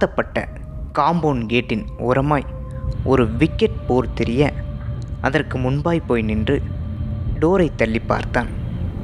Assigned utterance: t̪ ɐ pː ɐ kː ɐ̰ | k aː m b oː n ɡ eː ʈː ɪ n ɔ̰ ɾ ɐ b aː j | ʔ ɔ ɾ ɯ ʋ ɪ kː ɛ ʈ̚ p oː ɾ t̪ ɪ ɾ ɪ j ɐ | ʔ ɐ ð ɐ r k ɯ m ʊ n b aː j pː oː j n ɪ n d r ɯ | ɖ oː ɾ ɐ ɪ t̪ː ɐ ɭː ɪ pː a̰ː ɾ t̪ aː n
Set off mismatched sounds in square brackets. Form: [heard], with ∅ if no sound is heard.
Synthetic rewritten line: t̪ ɐ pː ɐ [ʈː] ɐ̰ | k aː m b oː n ɡ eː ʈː ɪ n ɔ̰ ɾ ɐ [m] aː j | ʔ ɔ ɾ ɯ ʋ ɪ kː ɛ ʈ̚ p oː ɾ t̪ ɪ ɾ ɪ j ɐ | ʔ ɐ ð ɐ r k ɯ m ʊ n b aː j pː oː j n ɪ n d r ɯ | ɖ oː ɾ ɐ ɪ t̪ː ɐ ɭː ɪ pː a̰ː ɾ t̪ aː n